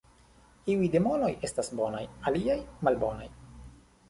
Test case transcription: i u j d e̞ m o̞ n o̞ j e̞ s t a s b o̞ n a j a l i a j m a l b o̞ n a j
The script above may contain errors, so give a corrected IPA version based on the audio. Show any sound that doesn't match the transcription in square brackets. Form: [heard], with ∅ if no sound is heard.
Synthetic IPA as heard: i u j d e̞ m o̞ n o̞ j e̞ s t a s b o̞ n a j a l i a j m a l b o̞ n a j

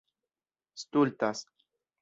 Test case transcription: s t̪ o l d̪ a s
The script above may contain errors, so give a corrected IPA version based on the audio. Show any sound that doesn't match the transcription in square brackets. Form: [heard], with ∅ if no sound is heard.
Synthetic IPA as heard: s t̪ [u] l [t̪] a s

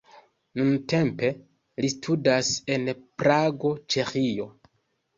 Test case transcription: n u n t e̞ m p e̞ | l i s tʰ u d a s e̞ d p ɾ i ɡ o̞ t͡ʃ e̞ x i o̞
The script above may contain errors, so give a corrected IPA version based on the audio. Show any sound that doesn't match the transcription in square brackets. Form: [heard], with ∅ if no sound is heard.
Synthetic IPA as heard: n u n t e̞ m p e̞ | l i s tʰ u d a s e̞ [n] p ɾ [a] ɡ o̞ t͡ʃ e̞ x i o̞

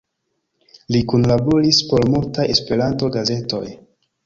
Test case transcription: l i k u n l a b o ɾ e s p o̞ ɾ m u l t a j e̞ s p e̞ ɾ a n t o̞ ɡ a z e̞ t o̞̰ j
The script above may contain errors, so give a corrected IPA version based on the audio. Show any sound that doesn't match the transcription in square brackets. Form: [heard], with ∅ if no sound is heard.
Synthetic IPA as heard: l i k u n l a b o ɾ [i] s p o̞ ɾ m u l t a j e̞ s p e̞ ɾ a n t o̞ ɡ a z e̞ t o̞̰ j

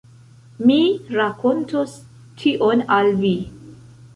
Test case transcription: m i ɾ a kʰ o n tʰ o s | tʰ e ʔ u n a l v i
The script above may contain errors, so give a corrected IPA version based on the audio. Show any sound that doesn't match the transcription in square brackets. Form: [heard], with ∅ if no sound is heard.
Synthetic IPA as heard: m i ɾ a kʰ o n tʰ o s | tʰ [i] ʔ [o] n a l v i

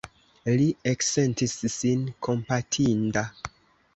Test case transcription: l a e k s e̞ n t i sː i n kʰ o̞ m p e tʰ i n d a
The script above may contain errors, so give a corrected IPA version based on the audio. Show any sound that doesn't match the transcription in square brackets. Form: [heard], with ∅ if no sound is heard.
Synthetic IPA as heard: l [i] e k s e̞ n t i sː i n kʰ o̞ m p [a] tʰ i n d a

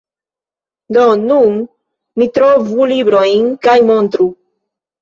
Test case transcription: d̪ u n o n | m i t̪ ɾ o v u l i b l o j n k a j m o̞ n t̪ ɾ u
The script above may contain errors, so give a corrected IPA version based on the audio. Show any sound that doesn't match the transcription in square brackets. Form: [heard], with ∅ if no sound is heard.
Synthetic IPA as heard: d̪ [o] n [u] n | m i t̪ ɾ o v u l i b [ɾ] o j n k a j m o̞ n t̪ ɾ u

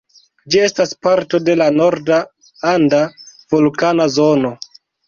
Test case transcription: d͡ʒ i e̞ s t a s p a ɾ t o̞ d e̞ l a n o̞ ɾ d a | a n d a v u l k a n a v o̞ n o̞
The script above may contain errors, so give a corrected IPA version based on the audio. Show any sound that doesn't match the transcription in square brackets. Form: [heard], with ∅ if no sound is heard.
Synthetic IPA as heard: d͡ʒ i e̞ s t a s p a ɾ t o̞ d e̞ l a n o̞ ɾ d a | a n d a v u l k a n a [z] o̞ n o̞

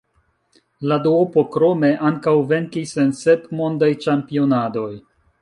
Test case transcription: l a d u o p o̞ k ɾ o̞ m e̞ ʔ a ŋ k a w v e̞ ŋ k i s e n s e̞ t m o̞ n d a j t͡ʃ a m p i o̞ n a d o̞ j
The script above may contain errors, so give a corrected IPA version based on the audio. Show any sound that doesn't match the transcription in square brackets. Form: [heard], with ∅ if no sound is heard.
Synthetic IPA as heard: l a d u o p o̞ k ɾ o̞ m e̞ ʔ a ŋ k a w v e̞ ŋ k i s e n s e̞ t m o̞ n d a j t͡ʃ a m p i o̞ n a d o̞ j

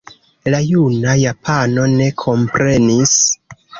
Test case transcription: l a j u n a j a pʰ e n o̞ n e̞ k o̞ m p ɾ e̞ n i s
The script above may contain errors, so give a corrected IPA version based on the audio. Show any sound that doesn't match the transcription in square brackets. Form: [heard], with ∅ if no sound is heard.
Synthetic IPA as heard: l a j u n a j a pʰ [a] n o̞ n e̞ [kʰ] o̞ m p ɾ e̞ n i s

